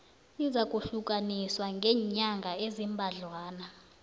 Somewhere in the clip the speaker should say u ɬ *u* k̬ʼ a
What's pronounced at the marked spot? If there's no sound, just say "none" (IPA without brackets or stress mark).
u